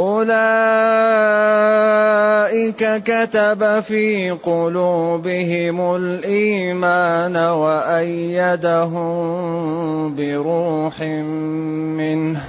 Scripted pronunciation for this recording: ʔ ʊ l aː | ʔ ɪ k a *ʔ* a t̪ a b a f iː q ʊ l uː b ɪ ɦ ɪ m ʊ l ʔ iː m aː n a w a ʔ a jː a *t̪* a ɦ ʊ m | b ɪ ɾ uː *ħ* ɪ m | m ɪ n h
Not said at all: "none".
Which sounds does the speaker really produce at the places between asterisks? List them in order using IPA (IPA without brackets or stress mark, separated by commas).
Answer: k, d̪, ħ